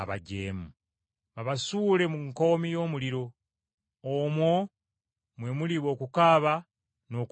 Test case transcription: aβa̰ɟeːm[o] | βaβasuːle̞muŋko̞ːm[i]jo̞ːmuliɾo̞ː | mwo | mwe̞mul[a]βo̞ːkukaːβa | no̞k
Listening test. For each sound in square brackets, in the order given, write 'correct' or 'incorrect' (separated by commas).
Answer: incorrect, correct, incorrect